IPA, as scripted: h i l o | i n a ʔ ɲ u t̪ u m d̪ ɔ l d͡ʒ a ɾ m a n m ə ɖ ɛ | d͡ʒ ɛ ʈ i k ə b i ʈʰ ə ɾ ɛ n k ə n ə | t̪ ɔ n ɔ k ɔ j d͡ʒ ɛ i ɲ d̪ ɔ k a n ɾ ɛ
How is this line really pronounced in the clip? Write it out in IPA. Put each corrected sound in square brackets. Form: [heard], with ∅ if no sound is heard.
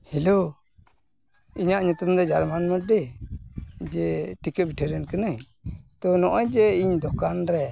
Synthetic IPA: h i l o | i [ɲ] a ʔ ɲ u t̪ u m d̪ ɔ [∅] d͡ʒ a ɾ m a n m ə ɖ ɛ | d͡ʒ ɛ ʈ i k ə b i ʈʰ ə ɾ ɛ n k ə n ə | t̪ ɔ n ɔ [ʔ] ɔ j d͡ʒ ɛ i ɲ d̪ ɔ k a n ɾ ɛ